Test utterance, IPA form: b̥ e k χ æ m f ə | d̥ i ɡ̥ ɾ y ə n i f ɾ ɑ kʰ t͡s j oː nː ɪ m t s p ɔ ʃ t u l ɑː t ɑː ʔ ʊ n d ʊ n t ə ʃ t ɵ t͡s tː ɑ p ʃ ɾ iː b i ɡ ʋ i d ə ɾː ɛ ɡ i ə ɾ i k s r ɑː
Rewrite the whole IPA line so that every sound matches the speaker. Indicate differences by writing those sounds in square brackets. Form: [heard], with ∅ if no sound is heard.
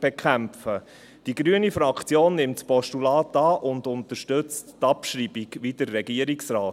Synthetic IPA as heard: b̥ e k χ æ m f ə | d̥ i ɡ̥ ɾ y ə n i f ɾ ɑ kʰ t͡s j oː nː ɪ m t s p ɔ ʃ t u l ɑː t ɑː ʔ ʊ n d ʊ n t ə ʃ t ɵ t͡s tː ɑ p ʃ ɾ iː b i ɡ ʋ i d ə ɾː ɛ ɡ i ə ɾ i k s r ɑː